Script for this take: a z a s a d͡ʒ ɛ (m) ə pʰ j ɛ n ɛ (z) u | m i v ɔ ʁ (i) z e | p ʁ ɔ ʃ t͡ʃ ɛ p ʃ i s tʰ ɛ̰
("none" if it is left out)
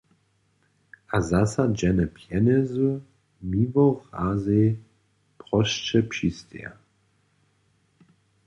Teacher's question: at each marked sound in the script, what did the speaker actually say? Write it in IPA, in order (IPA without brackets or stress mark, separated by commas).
n, z, a